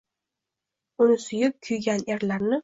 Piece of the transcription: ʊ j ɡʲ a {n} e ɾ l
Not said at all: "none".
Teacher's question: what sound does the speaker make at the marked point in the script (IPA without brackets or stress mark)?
n